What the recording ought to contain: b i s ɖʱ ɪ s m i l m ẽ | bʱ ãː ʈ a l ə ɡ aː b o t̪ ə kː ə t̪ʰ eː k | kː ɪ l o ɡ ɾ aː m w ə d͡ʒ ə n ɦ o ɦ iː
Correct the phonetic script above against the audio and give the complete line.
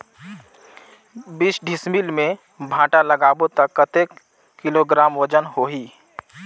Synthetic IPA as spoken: b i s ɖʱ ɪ s m i l m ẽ | bʱ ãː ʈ a l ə ɡ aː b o t̪ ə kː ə t̪ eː k | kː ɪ l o ɡ ɾ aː m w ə d͡ʒ ə n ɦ o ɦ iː